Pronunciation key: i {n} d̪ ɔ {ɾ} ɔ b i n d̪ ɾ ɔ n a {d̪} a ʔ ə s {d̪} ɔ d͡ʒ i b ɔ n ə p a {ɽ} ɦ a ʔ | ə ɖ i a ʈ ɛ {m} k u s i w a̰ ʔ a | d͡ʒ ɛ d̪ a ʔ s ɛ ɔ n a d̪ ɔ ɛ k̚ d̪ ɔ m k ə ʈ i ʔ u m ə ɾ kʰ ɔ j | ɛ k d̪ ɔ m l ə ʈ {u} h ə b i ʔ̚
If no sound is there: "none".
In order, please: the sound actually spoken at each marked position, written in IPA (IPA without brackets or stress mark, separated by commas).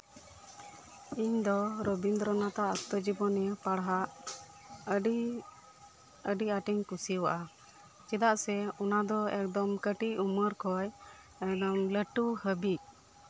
ɲ, ɾ, t̪, t̪, ɽ, ɲ, u